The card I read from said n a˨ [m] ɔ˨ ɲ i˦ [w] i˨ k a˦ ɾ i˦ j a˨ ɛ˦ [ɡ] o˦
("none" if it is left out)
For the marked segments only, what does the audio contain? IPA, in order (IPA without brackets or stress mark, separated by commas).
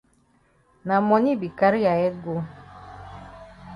m, b, ɡ